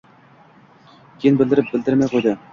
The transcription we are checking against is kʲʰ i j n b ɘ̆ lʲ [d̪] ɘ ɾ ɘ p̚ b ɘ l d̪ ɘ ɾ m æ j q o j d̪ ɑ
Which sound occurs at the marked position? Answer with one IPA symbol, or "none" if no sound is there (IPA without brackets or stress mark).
d̪